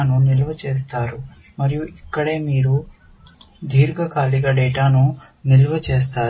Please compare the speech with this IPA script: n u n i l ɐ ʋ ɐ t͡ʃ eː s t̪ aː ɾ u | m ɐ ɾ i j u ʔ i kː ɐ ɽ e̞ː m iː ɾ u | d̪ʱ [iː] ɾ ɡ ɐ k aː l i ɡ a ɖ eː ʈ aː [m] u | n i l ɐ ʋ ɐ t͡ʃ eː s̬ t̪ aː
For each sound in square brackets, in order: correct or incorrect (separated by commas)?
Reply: correct, incorrect